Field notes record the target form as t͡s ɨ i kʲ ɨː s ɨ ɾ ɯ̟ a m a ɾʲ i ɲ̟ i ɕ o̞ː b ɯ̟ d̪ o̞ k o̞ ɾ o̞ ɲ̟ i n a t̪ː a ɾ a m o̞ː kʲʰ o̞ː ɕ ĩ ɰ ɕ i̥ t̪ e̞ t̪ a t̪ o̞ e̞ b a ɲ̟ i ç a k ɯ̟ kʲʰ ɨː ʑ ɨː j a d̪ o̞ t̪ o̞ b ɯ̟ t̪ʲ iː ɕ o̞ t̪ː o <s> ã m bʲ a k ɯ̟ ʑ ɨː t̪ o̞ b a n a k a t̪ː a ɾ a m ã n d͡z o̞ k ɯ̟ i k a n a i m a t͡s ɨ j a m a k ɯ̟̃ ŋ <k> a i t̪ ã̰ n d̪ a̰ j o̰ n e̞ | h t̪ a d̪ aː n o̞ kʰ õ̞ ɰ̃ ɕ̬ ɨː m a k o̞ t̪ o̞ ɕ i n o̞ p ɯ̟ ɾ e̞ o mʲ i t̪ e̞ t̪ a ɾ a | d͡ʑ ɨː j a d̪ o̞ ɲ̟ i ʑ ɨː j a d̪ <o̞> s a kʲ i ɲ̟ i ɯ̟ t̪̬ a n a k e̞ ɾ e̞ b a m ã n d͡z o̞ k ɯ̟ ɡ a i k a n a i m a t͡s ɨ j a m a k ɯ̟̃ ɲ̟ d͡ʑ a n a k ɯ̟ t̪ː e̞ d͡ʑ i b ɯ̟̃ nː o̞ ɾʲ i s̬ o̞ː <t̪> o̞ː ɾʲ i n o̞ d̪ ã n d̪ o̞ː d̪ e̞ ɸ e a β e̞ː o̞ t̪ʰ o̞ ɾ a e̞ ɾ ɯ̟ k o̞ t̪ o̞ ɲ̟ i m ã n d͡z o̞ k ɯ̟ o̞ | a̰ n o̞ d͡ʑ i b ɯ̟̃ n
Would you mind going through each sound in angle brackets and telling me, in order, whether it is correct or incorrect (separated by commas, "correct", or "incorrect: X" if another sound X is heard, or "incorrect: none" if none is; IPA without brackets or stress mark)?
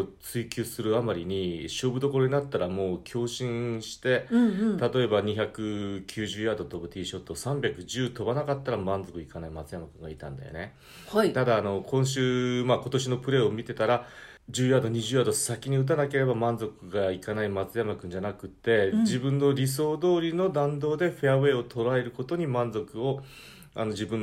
correct, incorrect: ɡ, correct, incorrect: d̪